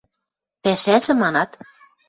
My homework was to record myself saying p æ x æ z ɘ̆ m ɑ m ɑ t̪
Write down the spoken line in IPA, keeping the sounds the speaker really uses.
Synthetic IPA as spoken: p æ ʃ æ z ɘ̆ m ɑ n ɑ t̪

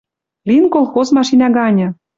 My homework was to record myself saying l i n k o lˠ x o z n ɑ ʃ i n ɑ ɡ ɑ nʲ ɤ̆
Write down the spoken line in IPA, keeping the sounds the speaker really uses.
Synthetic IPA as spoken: l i n k o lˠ x o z m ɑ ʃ i n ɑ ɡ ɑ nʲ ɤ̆

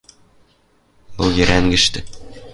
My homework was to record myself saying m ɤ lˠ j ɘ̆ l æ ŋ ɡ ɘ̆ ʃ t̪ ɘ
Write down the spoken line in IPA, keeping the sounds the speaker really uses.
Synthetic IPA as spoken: b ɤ lˠ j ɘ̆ ɾ æ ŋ ɡ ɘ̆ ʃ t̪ ɘ

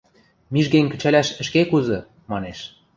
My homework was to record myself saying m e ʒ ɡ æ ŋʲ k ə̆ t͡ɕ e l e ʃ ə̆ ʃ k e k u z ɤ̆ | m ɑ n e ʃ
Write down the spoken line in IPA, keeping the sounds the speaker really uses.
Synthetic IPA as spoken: m i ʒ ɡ e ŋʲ k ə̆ t͡ɕ æ l æ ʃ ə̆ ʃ k e k u z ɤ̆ | m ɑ n e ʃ

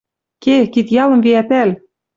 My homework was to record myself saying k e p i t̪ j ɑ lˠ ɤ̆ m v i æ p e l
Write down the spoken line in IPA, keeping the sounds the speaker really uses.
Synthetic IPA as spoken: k e k i t̪ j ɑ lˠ ɤ̆ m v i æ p æ l

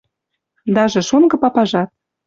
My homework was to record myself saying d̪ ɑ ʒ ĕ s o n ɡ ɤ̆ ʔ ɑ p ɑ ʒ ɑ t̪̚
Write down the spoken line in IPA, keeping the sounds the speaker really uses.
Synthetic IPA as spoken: d̪ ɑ ʒ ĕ ʃ o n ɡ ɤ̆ p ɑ p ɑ ʒ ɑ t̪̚

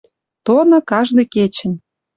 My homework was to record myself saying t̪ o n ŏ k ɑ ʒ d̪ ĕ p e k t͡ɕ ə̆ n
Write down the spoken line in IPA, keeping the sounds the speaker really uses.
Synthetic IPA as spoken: t̪ o n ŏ k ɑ ʒ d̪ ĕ k e t͡ɕ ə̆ n

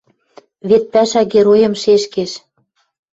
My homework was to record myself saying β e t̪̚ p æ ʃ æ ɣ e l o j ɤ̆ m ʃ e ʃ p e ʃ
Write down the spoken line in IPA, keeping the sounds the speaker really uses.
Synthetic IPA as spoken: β e t̪̚ p æ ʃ æ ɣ e ɾ o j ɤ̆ m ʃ e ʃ k e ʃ

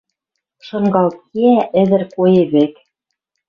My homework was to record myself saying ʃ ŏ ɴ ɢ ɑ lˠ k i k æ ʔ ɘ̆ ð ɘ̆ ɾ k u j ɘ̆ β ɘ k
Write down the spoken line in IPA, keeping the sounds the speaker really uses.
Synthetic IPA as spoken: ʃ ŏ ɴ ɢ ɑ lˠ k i æ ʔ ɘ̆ ð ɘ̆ ɾ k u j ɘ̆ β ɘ k

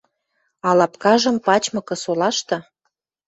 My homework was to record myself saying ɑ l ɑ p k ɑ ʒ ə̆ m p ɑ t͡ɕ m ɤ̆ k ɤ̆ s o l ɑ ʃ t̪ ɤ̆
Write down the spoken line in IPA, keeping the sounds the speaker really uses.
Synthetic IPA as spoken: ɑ l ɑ p k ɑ ʒ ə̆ m p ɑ t͡ɕ m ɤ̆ k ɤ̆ s o l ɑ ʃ t̪ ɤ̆

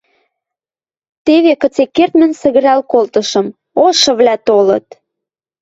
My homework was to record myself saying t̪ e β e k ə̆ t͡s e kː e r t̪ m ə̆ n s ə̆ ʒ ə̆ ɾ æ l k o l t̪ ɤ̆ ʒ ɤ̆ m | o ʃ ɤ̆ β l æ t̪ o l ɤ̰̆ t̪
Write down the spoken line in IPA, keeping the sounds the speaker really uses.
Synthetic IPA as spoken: t̪ e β e k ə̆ t͡s e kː e r t̪ m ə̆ n s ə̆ ɣ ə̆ ɾ æ l k o l t̪ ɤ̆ ʃ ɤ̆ m | o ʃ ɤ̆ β l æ t̪ o l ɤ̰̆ t̪

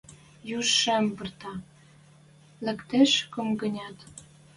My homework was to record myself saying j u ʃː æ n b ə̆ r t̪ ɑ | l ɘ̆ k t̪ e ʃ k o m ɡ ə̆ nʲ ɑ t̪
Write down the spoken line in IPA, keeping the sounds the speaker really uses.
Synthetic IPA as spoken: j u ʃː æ m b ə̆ r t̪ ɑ | l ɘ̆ k t̪ e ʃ k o m ɡ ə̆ nʲ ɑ t̪

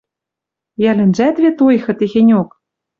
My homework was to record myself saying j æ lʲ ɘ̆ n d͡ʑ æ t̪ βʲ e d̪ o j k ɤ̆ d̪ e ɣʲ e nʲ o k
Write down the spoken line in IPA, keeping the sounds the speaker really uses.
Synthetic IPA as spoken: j æ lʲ ɘ̆ n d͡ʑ æ t̪ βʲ e t̪ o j x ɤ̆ t̪ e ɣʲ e nʲ o k

